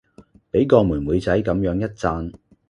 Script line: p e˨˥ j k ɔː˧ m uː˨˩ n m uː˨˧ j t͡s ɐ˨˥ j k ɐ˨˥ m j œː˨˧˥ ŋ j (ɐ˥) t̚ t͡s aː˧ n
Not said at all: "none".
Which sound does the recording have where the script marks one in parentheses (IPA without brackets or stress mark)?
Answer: ɐ˥